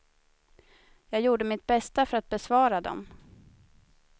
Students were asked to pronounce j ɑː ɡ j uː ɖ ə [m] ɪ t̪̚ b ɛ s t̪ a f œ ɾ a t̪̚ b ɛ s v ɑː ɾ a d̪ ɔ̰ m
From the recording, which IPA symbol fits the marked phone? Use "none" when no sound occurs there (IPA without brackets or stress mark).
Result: m